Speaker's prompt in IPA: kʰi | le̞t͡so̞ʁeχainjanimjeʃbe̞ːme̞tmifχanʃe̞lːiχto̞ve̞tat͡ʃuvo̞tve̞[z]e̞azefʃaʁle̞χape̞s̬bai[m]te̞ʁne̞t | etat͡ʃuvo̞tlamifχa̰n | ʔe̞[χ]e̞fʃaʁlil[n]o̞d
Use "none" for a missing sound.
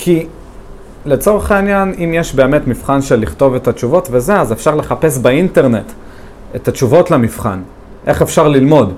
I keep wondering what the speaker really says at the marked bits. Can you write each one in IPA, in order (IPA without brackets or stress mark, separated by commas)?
z, n, χ, m